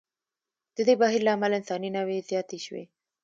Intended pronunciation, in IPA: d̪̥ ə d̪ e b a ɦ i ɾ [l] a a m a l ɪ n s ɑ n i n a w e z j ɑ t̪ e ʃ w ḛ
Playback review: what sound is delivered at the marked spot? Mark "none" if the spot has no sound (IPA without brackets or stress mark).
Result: l